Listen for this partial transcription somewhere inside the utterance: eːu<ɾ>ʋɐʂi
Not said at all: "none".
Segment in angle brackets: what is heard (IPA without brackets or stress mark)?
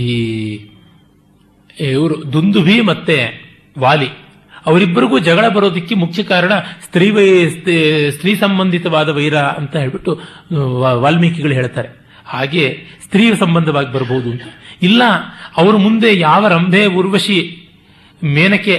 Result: ɾ